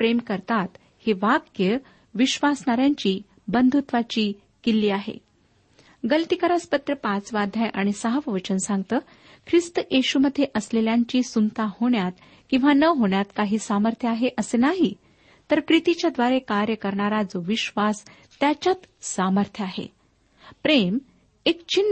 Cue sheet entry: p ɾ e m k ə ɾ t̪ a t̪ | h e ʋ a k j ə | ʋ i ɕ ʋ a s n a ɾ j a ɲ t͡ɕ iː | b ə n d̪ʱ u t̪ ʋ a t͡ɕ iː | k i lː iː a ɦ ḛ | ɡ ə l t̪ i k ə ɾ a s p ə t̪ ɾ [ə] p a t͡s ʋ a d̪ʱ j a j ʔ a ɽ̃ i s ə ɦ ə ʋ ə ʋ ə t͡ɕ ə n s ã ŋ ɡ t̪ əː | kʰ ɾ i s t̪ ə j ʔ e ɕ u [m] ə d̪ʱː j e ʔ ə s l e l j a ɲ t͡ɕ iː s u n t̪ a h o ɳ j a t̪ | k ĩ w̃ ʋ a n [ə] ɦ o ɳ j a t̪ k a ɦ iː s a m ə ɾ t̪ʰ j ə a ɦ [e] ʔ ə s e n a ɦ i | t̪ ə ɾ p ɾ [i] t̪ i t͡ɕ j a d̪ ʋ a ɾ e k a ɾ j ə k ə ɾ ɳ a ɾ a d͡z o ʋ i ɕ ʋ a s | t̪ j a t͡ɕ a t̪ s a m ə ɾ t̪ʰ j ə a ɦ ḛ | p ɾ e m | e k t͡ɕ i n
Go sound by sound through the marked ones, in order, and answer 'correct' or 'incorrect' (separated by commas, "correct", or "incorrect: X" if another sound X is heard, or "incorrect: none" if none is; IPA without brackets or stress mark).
correct, correct, correct, correct, correct